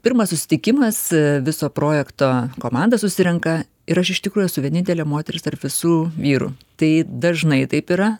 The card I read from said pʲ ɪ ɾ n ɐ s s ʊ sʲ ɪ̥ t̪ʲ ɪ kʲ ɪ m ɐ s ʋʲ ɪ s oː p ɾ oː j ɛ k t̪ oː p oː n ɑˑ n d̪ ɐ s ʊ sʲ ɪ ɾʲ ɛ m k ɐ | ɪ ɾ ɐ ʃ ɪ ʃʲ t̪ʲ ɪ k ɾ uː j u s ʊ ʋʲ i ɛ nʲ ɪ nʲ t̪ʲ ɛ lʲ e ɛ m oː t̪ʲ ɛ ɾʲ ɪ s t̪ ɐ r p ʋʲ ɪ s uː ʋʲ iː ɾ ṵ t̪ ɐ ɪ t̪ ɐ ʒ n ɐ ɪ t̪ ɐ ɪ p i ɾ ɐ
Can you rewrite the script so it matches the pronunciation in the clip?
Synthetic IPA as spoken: pʲ ɪ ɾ m ɐ s s ʊ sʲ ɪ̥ t̪ʲ ɪ kʲ ɪ m ɐ s ʋʲ ɪ s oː p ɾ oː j ɛ k t̪ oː k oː m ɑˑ n d̪ ɐ s ʊ sʲ ɪ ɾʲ ɛ ŋ k ɐ | ɪ ɾ ɐ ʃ ɪ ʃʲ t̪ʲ ɪ k ɾ uː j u s ʊ ʋʲ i ɛ nʲ ɪ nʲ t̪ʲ ɛ lʲ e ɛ m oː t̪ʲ ɛ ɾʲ ɪ s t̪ ɐ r p ʋʲ ɪ s uː ʋʲ iː ɾ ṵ t̪ ɐ ɪ d̪ ɐ ʒ n ɐ ɪ t̪ ɐ ɪ p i ɾ ɐ